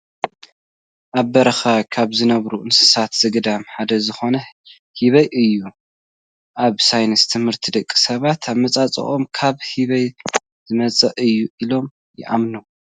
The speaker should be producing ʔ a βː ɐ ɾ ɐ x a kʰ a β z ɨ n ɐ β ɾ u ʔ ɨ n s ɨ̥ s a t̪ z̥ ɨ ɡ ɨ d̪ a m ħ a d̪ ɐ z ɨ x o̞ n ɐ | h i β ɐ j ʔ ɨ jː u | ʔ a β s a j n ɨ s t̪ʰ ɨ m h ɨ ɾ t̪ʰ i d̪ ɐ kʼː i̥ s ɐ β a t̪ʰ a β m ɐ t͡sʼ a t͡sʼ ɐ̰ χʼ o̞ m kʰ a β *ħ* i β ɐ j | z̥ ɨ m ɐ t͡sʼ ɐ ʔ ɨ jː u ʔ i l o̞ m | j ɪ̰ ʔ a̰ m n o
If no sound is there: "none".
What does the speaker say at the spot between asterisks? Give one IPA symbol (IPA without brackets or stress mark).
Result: h